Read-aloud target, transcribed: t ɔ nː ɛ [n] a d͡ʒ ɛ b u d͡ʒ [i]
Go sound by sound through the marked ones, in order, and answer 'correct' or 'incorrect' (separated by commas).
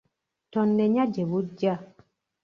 incorrect, incorrect